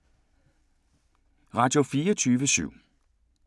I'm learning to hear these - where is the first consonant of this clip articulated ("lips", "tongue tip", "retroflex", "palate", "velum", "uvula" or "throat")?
uvula